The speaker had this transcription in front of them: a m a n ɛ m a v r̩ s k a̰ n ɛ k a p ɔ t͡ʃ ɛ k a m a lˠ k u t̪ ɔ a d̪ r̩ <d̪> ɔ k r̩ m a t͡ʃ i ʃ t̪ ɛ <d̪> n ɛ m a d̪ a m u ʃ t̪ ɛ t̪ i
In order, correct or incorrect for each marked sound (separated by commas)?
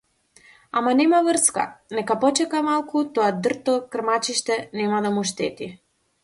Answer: incorrect, incorrect